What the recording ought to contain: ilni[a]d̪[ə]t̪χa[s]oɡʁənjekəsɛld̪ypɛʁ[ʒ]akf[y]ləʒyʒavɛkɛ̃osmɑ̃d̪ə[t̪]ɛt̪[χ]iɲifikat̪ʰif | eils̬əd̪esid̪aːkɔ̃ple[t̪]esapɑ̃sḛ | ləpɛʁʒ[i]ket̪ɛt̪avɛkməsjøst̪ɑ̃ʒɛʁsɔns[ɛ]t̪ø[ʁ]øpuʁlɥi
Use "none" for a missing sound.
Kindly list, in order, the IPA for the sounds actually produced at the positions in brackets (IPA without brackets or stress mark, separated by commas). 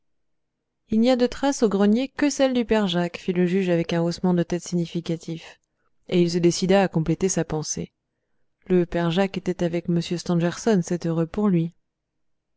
a, ə, s, ʒ, i, t̪, s, t̪, a, ɛ, ʁ